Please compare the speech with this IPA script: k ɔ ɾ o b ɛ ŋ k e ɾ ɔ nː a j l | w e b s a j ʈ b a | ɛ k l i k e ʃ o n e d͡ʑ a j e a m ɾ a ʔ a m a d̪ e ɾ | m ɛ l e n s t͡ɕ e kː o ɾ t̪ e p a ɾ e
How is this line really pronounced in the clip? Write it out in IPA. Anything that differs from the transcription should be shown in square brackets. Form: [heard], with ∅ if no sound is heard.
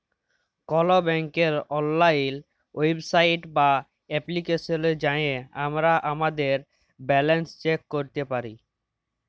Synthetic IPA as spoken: k ɔ [l] o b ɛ ŋ k e ɾ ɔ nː a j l | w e b s a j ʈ b a | ɛ [p] l i k e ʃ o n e d͡ʑ a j e a m ɾ a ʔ a m a d̪ e ɾ | [b] ɛ l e n s t͡ɕ e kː o ɾ t̪ e p a ɾ [i]